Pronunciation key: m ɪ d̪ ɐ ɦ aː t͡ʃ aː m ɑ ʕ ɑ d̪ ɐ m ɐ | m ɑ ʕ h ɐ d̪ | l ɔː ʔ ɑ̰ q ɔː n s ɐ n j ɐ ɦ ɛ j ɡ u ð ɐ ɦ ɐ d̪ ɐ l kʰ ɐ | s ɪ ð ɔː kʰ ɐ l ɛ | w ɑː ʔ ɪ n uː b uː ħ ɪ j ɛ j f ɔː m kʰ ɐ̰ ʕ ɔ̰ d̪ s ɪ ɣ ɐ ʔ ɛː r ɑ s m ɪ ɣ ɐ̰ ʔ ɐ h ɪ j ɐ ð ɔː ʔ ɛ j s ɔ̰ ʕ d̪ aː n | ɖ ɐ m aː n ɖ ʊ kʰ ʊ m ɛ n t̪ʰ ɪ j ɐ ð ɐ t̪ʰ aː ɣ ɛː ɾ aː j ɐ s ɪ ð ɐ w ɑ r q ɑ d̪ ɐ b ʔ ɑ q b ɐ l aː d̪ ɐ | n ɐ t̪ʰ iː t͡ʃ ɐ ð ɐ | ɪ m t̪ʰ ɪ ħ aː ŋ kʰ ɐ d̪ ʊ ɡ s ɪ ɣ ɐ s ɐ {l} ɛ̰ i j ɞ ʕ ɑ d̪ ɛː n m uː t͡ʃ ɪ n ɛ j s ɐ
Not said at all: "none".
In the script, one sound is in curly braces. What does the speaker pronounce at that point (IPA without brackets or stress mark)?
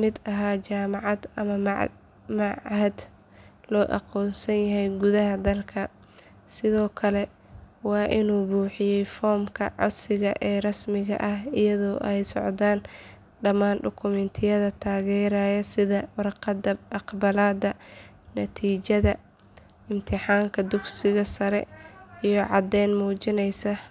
ɾ